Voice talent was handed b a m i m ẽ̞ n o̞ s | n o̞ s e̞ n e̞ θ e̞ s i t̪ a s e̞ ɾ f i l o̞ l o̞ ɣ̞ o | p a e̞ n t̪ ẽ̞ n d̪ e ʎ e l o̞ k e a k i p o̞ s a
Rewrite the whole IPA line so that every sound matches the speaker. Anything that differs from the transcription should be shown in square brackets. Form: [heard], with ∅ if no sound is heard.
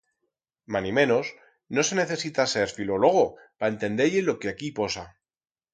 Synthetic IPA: [m] a [n] i m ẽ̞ n o̞ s | n o̞ s e̞ n e̞ θ e̞ s i t̪ a s e̞ ɾ f i l o̞ l o̞ ɣ̞ o | p a e̞ n t̪ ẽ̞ n d̪ e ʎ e l o̞ k e a k i p o̞ s a